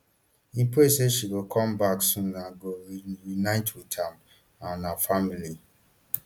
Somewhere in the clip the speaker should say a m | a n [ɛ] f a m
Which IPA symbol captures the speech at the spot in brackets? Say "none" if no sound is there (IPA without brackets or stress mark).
a